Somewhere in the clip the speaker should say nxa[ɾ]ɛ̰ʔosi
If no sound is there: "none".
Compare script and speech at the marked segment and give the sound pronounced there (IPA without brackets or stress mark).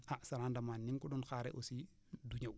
ɾ